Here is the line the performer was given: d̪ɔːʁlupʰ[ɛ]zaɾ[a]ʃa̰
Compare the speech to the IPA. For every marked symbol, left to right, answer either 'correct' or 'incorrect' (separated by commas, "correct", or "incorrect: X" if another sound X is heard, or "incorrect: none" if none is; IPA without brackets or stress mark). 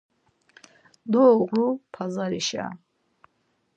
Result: incorrect: a, incorrect: i